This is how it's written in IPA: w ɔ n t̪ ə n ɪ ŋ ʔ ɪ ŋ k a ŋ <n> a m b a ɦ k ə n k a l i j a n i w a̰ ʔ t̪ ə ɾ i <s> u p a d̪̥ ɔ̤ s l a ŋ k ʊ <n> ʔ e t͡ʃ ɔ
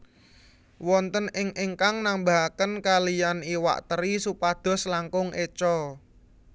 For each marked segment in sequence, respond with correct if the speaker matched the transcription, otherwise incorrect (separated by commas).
correct, correct, incorrect